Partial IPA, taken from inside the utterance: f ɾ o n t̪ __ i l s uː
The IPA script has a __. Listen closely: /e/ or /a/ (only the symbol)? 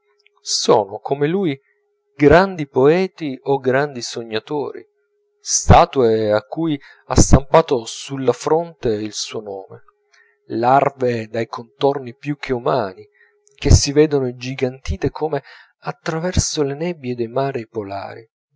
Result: e